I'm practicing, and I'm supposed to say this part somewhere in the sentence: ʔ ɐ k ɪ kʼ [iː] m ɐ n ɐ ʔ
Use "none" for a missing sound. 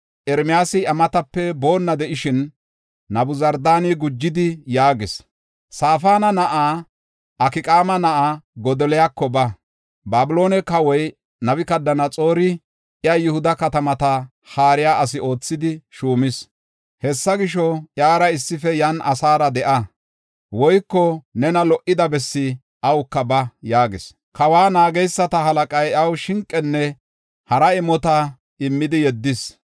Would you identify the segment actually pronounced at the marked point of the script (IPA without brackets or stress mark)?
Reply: aː